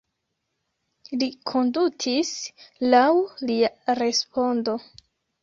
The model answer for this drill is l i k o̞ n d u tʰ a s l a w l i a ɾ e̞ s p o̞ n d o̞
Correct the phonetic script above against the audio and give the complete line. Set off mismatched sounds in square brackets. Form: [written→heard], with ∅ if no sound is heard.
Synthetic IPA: l i [k→kʰ] o̞ n d u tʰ [a→i] s l a w l i a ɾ e̞ s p o̞ n d o̞